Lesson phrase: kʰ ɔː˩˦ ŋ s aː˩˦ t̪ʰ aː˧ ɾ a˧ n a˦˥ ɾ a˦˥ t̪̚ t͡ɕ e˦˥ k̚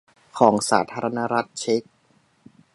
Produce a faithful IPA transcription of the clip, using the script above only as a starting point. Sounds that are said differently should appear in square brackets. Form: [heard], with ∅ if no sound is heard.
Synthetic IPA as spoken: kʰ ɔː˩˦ ŋ s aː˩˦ t̪ʰ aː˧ ɾ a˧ n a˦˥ ɾ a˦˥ t̪̚ [t͡ɕʰ] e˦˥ k̚